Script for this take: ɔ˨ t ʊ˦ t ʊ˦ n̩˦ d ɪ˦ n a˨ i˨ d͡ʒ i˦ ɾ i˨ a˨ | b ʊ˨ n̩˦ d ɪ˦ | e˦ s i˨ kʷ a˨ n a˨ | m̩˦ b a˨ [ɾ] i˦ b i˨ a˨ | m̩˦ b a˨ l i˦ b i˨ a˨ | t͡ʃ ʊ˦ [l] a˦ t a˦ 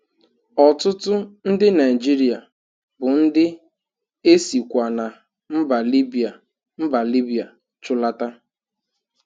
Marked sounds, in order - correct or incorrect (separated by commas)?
incorrect, correct